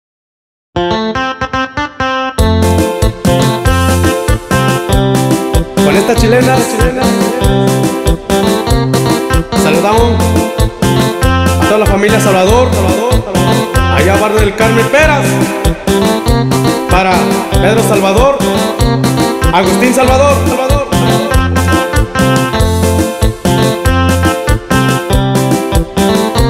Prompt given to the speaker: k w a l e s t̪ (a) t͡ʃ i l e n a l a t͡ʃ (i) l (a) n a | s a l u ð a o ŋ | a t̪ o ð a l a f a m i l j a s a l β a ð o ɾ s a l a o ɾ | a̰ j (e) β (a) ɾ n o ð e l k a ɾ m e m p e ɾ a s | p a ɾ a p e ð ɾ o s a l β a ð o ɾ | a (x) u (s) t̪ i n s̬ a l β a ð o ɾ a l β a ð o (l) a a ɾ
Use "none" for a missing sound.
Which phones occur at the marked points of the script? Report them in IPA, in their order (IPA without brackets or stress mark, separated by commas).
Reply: a, i, e, a, a, ɣ, s, ɾ